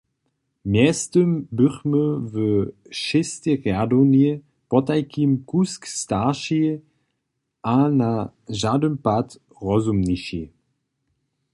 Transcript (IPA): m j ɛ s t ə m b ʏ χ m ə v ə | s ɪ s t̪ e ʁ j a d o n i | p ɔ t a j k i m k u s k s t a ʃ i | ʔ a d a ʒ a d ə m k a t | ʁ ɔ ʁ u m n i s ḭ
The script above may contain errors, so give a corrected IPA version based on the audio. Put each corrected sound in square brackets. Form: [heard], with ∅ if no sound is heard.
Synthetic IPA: m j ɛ s t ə m b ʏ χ m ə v ə | [ʃ] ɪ s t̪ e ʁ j a d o n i | p ɔ t a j k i m k u s k s t a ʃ i | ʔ a [n] a ʒ a d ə m [p] a t | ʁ ɔ [z] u m n i [ʃ] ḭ

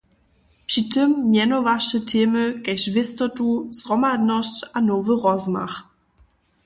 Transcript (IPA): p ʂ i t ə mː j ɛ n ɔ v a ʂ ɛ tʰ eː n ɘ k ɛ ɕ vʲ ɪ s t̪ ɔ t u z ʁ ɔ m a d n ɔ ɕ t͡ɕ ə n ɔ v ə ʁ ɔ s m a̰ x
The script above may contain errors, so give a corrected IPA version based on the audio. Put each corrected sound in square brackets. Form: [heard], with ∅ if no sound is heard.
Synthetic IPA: p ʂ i t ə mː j ɛ n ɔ v a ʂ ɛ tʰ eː [m] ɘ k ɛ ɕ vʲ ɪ s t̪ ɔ t u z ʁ ɔ m a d n ɔ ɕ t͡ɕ [a] n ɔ v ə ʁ ɔ [z] m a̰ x

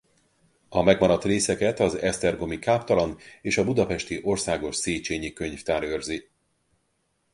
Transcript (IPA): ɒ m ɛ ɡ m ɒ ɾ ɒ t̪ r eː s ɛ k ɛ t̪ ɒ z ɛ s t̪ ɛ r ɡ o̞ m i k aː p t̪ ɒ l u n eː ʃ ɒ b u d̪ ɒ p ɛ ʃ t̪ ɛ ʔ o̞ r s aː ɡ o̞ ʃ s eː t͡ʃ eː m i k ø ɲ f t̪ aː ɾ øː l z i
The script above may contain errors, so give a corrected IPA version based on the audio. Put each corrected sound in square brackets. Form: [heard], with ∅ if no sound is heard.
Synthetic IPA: ɒ m ɛ ɡ m ɒ ɾ ɒ t̪ r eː s ɛ k ɛ t̪ ɒ z ɛ s t̪ ɛ r ɡ o̞ m i k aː p t̪ ɒ l [ɒ] n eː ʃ ɒ b u d̪ ɒ p ɛ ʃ t̪ [i] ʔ o̞ r s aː ɡ o̞ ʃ s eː t͡ʃ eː [ɲ] i k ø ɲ f t̪ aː ɾ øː [r] z i

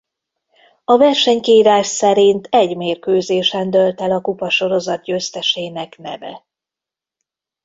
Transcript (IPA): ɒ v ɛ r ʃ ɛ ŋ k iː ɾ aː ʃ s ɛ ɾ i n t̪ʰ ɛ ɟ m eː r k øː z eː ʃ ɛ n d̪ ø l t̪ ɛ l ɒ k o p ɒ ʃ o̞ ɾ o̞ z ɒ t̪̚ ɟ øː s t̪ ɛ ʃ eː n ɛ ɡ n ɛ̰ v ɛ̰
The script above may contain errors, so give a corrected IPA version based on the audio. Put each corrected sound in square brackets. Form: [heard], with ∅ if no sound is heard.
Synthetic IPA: ɒ v ɛ r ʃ ɛ [ɲ] k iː ɾ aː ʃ s ɛ ɾ i n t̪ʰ ɛ ɟ m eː r k øː z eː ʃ ɛ n d̪ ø l t̪ ɛ l ɒ k [u] p ɒ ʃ o̞ ɾ o̞ z ɒ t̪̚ ɟ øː s t̪ ɛ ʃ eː n ɛ [k] n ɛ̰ v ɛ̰

